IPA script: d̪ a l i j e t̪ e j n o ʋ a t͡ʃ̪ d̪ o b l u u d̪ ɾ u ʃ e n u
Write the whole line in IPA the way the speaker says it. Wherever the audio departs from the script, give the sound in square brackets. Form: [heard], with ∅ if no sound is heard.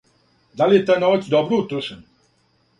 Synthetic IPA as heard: d̪ a l i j e t̪ [a] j n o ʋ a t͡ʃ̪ d̪ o b [ɾ] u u [t̪] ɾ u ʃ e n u